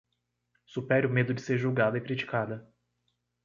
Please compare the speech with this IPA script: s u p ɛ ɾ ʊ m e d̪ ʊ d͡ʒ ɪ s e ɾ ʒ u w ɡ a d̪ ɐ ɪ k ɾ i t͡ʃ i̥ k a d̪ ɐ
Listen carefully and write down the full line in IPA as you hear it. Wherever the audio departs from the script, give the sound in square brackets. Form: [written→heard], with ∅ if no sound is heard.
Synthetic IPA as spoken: s u p ɛ ɾ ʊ m e d̪ ʊ d͡ʒ ɪ s e ɾ ʒ u w ɡ a d̪ ɐ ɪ k ɾ i t͡ʃ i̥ k a d̪ ɐ